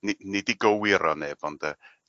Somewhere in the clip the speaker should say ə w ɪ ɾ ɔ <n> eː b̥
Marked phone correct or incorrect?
correct